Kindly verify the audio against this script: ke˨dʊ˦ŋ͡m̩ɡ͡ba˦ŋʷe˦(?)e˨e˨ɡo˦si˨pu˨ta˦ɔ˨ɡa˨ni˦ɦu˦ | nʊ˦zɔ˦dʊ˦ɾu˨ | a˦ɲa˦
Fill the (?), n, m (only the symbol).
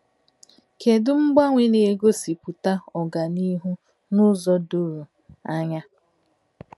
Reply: n